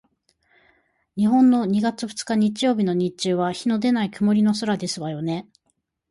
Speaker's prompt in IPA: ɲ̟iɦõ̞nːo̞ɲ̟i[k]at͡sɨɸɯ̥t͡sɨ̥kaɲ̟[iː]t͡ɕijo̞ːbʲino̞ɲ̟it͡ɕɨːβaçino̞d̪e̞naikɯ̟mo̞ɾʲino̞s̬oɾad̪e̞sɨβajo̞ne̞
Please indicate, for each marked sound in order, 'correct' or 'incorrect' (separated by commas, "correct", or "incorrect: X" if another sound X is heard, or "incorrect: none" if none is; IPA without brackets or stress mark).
incorrect: ɡ, incorrect: i